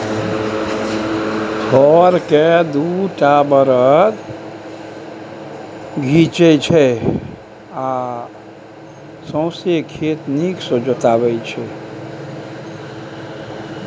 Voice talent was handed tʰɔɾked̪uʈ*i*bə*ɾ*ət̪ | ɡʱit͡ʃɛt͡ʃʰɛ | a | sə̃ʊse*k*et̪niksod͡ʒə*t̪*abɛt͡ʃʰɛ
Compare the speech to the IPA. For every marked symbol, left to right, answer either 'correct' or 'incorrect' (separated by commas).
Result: incorrect, correct, incorrect, correct